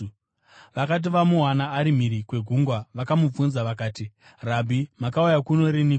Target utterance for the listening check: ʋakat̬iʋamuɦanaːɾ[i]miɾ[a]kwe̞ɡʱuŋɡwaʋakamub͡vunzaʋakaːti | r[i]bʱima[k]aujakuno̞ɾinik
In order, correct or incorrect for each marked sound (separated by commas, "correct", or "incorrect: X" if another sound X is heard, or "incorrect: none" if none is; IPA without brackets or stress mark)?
correct, incorrect: i, incorrect: a, correct